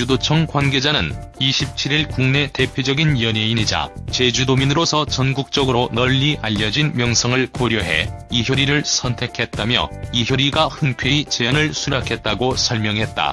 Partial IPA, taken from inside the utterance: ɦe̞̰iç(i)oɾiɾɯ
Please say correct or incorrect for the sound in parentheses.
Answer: incorrect: j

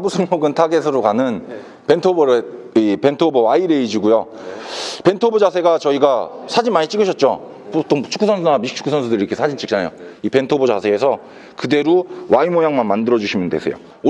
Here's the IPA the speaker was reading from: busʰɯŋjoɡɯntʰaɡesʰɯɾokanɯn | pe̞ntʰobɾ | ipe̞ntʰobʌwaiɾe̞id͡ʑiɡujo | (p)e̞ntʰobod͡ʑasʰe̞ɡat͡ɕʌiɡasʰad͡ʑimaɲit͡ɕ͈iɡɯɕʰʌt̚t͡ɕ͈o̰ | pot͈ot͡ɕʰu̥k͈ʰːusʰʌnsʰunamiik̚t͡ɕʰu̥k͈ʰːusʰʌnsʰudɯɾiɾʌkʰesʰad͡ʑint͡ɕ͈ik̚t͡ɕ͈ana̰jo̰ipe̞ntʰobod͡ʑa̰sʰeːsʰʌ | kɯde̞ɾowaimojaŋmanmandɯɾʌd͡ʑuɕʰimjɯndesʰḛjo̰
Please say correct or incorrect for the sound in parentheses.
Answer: correct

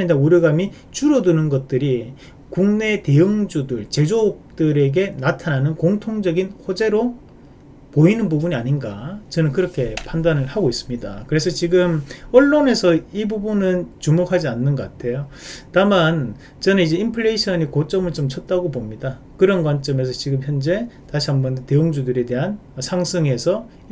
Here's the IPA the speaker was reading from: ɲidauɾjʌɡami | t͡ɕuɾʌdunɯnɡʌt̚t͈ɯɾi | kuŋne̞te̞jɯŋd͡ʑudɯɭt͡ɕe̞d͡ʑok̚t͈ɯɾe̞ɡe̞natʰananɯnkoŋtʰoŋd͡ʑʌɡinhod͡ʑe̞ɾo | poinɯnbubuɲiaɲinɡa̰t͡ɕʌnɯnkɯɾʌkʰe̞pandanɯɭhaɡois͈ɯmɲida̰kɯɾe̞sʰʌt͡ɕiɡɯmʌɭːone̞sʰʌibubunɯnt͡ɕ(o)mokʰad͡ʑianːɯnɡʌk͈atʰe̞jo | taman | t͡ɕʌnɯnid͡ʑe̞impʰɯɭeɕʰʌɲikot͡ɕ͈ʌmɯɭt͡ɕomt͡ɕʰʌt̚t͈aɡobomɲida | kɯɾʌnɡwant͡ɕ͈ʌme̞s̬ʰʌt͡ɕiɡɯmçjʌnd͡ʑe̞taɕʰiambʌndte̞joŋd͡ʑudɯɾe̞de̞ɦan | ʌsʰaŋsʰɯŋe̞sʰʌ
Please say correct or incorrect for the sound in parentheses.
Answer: incorrect: u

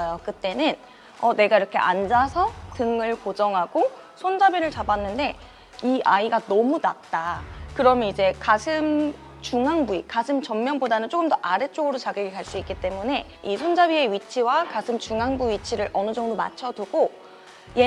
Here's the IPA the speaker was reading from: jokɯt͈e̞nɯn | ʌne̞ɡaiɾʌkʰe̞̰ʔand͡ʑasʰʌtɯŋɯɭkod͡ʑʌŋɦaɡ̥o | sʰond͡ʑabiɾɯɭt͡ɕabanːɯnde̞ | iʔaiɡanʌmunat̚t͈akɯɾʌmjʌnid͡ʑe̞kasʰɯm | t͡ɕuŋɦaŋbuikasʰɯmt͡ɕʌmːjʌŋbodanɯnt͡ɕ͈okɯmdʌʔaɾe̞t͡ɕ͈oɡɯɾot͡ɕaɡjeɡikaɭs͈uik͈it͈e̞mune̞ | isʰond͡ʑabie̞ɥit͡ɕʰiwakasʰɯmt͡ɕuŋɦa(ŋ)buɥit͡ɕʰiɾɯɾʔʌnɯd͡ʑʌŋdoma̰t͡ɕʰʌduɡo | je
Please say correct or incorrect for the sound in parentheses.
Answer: correct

